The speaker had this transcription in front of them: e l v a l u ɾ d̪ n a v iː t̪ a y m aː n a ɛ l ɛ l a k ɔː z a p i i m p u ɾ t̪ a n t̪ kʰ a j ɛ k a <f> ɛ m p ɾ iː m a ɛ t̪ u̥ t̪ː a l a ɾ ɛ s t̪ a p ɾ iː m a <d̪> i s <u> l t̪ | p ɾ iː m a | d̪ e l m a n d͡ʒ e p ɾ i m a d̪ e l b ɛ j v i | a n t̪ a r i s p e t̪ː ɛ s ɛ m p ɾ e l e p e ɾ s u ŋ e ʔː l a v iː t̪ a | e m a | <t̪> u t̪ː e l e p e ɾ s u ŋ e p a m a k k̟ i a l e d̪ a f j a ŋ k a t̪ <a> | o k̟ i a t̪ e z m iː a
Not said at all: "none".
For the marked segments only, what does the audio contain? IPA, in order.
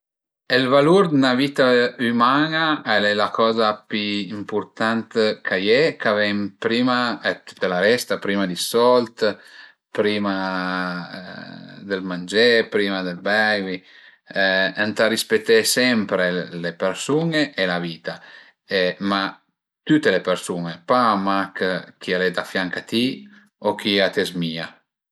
v, d̪, ɔ, t̪, i

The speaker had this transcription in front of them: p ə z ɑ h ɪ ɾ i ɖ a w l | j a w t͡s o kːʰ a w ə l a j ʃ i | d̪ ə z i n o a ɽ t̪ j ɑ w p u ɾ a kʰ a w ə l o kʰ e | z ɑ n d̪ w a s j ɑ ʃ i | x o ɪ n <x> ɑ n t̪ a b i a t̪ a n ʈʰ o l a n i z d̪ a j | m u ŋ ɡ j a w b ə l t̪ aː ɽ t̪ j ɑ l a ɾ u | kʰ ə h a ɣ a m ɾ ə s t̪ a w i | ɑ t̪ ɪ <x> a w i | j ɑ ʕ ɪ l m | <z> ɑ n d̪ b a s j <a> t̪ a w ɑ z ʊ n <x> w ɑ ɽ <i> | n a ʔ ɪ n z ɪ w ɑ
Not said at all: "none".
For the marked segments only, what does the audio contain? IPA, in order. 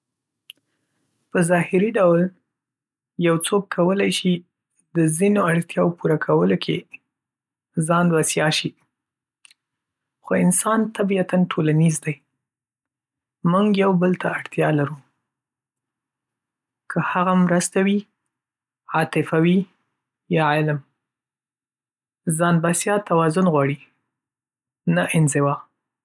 s, f, z, ɑ, ɣ, i

